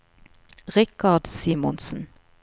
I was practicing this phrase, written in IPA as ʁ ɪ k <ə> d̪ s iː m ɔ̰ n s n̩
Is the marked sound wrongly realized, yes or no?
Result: yes